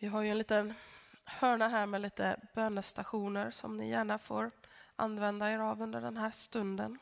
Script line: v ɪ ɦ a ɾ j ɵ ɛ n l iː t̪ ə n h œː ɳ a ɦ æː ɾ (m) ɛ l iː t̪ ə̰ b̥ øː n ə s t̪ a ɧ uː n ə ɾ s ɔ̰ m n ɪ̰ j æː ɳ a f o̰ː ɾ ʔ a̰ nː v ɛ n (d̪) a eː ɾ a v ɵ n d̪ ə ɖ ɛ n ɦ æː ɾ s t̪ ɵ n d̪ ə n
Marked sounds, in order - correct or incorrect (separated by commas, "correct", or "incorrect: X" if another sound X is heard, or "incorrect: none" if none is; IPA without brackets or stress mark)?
correct, correct